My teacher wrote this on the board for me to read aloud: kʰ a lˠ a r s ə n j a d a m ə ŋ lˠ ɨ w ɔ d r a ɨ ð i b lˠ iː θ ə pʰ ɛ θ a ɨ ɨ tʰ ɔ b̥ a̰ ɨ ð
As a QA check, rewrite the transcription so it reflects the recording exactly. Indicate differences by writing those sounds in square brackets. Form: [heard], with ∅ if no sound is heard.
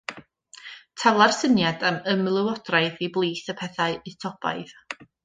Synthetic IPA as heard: [tʰ] a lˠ a r s ə n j a d a m ə [m] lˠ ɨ w ɔ d r a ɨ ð i b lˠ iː θ ə pʰ ɛ θ a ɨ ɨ tʰ ɔ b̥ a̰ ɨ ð